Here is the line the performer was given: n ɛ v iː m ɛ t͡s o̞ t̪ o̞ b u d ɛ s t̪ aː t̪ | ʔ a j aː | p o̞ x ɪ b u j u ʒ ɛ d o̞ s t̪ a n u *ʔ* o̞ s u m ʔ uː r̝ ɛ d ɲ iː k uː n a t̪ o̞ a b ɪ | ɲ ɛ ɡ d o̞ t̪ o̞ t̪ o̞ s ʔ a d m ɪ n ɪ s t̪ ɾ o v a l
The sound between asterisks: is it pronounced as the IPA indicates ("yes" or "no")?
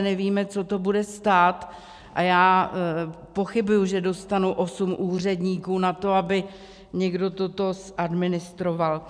yes